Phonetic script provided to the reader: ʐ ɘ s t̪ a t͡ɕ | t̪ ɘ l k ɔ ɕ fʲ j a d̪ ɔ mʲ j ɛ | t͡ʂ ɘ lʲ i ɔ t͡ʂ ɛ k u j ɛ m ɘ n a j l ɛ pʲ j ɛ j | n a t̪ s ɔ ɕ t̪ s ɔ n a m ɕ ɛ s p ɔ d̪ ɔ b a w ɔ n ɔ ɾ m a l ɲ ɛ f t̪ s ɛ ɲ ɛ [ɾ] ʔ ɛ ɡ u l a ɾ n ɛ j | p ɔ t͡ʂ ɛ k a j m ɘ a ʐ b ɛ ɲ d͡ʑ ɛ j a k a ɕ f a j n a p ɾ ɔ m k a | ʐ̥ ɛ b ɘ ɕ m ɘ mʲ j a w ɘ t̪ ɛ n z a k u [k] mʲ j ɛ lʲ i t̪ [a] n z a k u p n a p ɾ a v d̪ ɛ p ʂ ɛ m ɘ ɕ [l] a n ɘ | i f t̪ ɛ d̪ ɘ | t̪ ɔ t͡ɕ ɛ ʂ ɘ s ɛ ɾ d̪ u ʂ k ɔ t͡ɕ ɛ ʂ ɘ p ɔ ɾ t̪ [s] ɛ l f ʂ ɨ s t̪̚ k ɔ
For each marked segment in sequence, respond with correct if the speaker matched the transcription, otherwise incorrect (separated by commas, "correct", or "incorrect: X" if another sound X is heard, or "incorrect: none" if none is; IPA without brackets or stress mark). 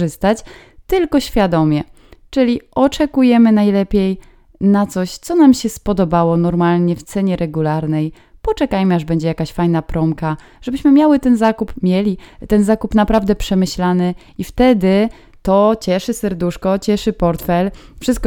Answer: correct, incorrect: p, incorrect: ɛ, correct, incorrect: f